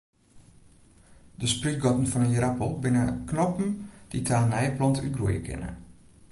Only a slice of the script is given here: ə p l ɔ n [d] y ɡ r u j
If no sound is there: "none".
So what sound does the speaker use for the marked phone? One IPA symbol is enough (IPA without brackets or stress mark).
t